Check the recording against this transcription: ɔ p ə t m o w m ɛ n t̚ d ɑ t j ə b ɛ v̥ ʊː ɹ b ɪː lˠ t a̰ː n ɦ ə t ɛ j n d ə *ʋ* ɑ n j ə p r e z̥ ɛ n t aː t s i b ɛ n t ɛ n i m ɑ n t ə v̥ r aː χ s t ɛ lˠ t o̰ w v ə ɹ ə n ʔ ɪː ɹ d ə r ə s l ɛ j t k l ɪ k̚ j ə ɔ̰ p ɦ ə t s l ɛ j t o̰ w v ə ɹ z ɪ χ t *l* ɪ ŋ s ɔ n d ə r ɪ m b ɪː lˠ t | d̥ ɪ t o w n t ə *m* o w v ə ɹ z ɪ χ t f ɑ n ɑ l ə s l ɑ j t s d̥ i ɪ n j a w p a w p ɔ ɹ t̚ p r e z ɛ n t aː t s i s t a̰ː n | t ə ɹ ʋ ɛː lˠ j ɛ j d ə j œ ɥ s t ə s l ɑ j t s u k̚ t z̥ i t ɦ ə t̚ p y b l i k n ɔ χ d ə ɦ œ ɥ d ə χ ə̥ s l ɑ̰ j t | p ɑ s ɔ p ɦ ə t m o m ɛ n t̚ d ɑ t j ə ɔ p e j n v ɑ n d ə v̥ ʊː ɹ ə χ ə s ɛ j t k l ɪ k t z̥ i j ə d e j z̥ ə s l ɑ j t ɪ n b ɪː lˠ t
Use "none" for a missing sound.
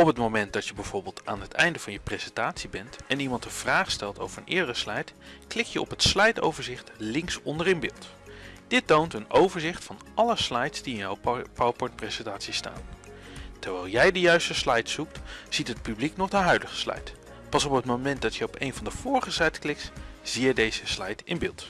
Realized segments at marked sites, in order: v, l, n

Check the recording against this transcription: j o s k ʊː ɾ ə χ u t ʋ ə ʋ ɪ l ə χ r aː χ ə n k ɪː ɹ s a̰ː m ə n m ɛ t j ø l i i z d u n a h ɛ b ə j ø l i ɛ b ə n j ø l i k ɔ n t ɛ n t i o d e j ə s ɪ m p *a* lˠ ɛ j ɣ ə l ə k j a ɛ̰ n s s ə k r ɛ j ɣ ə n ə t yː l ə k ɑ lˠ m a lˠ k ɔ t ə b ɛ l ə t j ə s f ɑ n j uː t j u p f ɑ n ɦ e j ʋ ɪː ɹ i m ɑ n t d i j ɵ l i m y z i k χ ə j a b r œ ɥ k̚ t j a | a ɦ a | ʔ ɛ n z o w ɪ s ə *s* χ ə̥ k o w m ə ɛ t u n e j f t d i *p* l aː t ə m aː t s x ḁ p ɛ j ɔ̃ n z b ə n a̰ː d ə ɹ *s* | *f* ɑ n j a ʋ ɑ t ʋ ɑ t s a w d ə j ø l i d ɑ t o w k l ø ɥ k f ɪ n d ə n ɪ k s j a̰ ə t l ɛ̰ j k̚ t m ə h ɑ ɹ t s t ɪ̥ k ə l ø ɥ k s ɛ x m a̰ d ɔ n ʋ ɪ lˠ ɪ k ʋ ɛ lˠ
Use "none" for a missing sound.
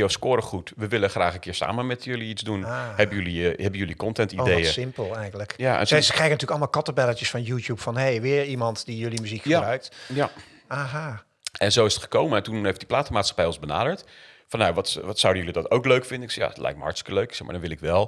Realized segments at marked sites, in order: ə, t, p, t, f

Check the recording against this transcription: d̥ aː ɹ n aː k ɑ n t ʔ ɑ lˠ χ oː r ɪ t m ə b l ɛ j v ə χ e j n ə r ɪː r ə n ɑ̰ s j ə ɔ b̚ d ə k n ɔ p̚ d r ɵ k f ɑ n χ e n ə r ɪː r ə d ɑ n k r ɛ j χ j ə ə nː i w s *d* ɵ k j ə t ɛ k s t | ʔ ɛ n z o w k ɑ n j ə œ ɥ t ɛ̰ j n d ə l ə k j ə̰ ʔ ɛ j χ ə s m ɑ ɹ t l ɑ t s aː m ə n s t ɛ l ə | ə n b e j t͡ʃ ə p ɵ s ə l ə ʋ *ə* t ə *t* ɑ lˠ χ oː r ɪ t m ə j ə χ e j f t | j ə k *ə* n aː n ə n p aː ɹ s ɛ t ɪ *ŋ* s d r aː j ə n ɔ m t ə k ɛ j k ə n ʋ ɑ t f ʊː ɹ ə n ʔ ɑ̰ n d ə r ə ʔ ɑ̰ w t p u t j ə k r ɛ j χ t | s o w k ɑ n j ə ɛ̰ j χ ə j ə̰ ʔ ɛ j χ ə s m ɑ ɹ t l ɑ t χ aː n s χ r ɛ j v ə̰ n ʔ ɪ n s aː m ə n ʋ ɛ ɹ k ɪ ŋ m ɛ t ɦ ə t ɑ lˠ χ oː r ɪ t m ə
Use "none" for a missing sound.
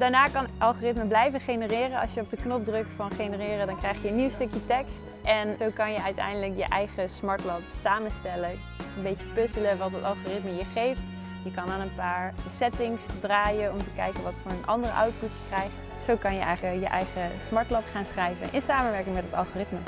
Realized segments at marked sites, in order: t, ɑ, t, ɑ, ŋ

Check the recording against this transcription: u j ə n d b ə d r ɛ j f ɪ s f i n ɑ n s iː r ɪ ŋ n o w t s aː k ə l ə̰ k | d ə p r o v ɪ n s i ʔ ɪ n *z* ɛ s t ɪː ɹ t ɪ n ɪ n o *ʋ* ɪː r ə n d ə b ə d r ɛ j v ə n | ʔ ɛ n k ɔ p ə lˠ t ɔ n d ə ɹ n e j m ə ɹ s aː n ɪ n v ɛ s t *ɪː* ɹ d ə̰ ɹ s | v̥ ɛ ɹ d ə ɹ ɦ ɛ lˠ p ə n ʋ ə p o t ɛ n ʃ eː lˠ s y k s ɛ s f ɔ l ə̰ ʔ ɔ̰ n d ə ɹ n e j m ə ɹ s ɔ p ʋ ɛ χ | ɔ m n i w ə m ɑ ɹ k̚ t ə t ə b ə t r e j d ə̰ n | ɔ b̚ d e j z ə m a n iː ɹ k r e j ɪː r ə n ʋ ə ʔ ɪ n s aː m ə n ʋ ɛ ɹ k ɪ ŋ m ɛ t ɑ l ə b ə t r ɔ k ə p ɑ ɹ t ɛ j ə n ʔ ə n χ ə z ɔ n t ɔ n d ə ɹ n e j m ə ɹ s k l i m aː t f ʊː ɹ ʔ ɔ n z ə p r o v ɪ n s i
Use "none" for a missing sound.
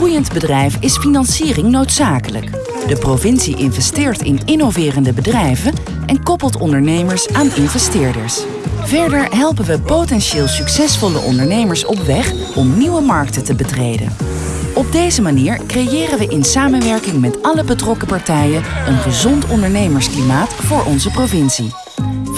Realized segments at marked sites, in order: v, v, ɪː

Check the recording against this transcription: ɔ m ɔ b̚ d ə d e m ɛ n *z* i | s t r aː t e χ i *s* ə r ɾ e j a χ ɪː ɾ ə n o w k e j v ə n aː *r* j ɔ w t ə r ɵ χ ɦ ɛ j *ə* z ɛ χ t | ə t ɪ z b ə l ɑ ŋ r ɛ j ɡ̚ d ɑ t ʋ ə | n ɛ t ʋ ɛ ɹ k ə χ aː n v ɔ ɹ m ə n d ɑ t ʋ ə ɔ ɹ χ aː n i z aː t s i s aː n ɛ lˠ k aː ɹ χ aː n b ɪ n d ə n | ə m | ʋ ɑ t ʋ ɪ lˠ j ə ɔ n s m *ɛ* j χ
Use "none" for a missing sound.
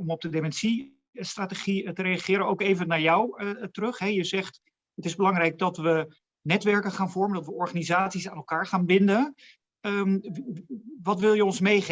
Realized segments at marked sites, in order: s, t, ɹ, ə, e

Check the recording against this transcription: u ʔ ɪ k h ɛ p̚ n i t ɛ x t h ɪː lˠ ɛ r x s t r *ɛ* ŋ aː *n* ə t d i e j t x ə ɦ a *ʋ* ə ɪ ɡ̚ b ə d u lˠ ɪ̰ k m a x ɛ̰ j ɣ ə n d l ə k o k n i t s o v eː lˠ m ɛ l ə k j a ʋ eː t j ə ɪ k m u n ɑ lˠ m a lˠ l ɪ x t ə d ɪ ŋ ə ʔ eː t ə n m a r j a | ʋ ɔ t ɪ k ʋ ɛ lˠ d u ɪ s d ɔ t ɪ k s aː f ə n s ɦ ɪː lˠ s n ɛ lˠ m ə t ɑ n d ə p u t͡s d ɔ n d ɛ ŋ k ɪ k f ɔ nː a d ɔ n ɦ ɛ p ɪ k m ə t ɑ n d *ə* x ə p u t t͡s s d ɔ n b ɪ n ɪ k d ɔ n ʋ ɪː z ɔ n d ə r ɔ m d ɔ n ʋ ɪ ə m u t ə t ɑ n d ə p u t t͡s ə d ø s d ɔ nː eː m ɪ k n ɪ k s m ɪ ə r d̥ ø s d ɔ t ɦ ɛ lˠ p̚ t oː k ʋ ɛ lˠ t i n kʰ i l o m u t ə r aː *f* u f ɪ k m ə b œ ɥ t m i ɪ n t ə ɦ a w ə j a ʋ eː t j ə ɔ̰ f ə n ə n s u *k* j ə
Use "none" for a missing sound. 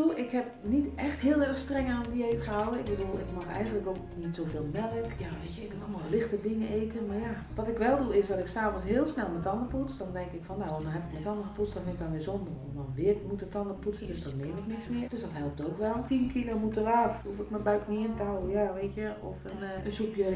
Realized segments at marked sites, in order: ɛ, n, w, ə, f, p

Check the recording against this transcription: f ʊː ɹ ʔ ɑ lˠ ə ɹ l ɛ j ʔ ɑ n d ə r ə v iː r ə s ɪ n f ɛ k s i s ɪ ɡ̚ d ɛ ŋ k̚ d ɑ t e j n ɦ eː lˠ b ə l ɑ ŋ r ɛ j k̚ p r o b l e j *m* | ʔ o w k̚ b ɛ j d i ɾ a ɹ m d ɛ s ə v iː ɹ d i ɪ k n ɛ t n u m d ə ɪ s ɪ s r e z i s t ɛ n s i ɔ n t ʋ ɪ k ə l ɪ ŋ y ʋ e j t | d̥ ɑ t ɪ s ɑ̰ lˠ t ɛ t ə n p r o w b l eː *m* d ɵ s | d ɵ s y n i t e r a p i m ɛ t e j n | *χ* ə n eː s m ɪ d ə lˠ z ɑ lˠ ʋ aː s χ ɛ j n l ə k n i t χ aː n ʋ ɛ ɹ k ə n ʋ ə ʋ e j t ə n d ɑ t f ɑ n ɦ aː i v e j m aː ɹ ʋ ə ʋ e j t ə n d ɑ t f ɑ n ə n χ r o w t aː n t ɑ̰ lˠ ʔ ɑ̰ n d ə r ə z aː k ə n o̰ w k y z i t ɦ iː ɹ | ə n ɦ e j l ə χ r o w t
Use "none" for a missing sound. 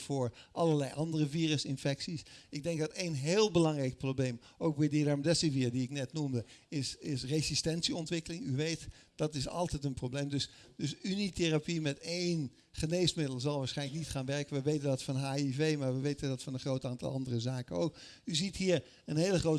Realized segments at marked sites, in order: m, m, χ

